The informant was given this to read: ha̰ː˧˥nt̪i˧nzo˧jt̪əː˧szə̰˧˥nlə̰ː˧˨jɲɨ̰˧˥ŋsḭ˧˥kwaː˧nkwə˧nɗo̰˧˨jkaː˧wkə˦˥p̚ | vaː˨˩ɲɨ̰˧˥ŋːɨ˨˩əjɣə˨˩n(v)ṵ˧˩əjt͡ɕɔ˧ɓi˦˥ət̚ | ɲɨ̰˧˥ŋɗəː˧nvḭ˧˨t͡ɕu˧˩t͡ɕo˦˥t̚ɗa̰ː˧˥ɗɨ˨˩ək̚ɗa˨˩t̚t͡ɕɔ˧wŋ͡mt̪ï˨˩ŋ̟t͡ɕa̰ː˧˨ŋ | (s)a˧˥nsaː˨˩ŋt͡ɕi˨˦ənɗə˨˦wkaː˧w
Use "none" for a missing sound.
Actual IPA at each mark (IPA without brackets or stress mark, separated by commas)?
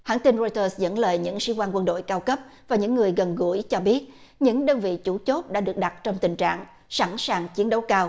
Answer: ɣ, s